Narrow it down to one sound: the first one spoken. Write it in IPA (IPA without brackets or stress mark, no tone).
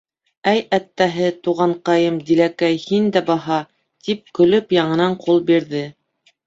æ